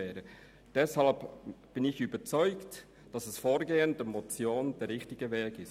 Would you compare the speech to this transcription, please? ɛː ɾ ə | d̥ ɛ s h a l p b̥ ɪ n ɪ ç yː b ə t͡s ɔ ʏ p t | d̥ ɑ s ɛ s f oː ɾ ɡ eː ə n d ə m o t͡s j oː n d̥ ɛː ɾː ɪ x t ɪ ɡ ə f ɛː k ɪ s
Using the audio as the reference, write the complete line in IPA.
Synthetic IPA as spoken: ɛː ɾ ə | d̥ ɛ s h ɑ l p b̥ ɪ n ɪ ç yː b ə t͡s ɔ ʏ k t | d̥ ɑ s ɛ s f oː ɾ ɡ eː ə n d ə m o t͡s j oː n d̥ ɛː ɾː ɪ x t ɪ ɡ ə v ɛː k ɪ s